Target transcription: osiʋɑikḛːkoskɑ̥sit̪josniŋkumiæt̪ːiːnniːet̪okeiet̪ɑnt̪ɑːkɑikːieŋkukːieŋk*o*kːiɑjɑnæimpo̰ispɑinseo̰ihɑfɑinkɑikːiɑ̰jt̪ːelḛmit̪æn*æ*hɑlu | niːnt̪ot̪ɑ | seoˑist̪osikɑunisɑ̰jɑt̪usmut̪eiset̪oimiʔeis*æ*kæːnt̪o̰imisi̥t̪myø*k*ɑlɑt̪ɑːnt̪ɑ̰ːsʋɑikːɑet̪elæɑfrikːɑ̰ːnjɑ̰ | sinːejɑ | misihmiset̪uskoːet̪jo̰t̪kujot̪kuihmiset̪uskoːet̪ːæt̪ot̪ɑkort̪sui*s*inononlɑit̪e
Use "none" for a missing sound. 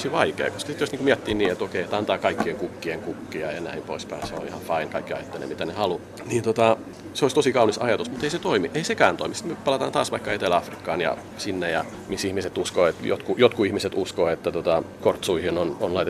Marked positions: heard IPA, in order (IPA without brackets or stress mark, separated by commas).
u, e, e, p, h